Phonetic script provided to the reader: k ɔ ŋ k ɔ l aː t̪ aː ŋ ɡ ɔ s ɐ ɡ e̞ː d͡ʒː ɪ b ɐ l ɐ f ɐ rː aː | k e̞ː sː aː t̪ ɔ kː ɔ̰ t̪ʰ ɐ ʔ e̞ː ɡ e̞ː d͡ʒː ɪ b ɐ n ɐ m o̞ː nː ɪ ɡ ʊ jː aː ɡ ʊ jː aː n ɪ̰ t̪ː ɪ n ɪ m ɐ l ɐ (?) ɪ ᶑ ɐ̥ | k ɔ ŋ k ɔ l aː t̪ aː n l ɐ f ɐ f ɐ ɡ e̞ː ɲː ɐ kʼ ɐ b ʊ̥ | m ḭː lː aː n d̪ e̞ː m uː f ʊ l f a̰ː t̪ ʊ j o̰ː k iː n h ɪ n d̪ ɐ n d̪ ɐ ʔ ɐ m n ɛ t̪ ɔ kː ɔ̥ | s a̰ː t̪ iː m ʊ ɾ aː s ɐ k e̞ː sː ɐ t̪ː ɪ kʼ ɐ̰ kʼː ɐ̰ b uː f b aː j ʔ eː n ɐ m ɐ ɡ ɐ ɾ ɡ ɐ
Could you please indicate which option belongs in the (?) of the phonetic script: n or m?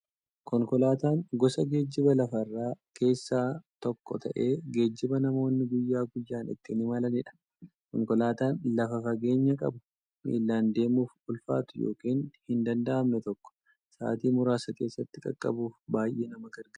n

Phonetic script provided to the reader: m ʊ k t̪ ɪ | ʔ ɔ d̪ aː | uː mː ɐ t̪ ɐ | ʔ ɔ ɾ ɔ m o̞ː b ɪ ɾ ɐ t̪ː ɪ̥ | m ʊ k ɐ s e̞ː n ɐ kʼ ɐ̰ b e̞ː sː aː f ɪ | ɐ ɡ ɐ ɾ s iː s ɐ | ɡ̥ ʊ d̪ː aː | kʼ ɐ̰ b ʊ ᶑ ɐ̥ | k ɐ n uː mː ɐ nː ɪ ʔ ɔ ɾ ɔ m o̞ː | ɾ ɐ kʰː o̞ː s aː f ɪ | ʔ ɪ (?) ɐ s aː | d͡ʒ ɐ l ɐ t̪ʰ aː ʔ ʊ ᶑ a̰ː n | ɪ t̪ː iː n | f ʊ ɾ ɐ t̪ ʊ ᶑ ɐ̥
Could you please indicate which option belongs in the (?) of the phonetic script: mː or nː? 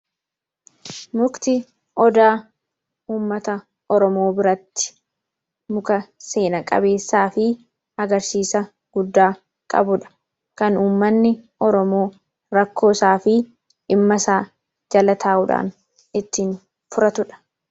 mː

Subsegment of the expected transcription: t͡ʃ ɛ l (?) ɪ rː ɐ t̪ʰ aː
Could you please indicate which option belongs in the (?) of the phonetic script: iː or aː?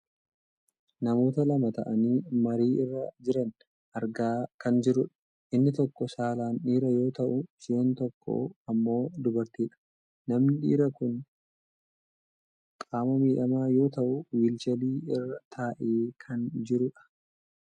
iː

